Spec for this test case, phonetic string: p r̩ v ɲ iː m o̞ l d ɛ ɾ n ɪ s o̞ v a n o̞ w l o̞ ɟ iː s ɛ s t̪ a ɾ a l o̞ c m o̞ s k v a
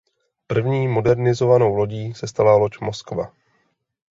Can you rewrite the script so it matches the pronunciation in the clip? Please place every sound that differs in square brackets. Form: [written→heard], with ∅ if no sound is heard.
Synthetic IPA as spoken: p r̩ v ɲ iː m o̞ [l→∅] d ɛ ɾ n ɪ [s→z] o̞ v a n o̞ w l o̞ ɟ iː s ɛ s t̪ a [ɾ→l] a l o̞ c m o̞ s k v a